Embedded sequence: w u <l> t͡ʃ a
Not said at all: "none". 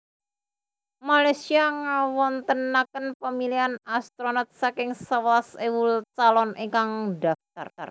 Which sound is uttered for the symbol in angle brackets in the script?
l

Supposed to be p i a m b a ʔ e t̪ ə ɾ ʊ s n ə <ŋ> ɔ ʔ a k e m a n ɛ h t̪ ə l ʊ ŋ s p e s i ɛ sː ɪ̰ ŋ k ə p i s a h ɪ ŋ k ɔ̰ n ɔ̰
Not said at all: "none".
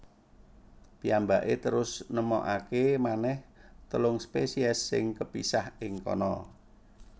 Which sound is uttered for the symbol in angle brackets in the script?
m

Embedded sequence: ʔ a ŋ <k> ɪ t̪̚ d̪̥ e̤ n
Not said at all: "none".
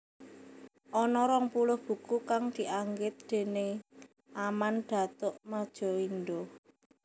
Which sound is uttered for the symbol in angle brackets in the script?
ɡ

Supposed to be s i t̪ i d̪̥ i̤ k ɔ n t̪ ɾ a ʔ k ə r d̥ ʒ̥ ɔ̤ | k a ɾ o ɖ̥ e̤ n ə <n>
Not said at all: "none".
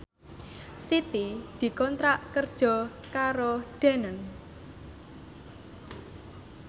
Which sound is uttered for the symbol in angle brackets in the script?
n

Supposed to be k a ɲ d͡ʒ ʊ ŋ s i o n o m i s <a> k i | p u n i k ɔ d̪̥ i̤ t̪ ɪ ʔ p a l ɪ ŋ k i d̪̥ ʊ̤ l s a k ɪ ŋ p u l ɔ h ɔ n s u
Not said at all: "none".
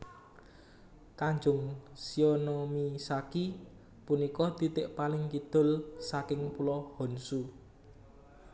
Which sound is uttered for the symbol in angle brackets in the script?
a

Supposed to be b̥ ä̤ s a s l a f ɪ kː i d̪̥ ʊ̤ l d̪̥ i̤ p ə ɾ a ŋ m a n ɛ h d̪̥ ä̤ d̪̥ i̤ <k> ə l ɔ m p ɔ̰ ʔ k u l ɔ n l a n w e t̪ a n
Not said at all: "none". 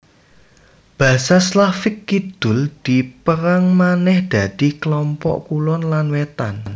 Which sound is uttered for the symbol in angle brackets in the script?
k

